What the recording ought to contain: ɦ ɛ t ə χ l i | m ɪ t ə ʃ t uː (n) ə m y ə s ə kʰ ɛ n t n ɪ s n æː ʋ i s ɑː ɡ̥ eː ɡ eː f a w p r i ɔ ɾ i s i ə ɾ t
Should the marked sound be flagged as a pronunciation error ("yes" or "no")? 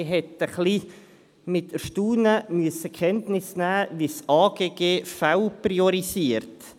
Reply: no